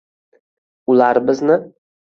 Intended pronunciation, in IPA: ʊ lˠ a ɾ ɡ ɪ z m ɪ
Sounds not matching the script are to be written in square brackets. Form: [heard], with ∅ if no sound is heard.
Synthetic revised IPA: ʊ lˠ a ɾ [b] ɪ z [n] ɪ